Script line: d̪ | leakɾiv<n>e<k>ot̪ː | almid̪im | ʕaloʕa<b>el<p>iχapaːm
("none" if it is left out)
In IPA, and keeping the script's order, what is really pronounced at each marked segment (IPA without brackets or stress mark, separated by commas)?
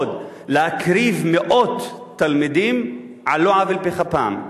m, ʔ, v, p